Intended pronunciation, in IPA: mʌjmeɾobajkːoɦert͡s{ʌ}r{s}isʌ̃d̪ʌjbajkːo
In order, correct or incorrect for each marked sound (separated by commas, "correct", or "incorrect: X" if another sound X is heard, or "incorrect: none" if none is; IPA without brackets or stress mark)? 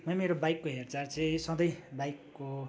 incorrect: a, incorrect: t͡s